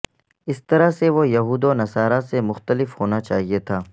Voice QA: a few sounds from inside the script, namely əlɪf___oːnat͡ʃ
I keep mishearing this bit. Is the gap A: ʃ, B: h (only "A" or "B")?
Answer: B